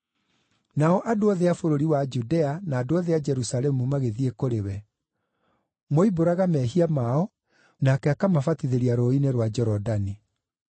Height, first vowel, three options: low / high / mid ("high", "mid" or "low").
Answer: low